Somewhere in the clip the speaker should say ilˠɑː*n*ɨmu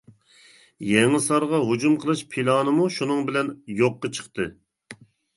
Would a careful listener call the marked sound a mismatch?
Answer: no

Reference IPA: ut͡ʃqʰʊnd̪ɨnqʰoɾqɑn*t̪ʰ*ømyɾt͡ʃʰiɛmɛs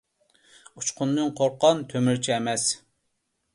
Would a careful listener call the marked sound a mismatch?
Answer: no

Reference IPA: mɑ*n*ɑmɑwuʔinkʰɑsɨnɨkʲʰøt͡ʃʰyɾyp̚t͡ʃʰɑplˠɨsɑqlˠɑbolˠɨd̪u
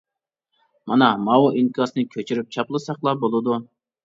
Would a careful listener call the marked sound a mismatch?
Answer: no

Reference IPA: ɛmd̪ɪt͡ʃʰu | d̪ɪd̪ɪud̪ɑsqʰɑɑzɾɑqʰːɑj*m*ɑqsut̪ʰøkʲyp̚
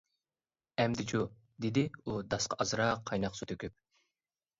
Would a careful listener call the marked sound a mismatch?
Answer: yes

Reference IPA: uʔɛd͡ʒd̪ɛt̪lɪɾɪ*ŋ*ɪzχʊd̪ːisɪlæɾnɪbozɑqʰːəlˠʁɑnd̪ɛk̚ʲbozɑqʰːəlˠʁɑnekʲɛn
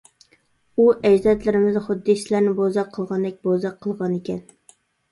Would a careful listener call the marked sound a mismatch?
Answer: yes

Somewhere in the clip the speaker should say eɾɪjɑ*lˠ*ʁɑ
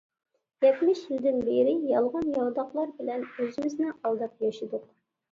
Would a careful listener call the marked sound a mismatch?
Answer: no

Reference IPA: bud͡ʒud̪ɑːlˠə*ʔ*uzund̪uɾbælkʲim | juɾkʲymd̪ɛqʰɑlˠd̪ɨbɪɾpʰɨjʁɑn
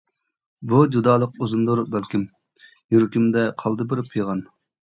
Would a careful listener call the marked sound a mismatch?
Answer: yes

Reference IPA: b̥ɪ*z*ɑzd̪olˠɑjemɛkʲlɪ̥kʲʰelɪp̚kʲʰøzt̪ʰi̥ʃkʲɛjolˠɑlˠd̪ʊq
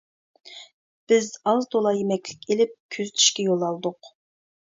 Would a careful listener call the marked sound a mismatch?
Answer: no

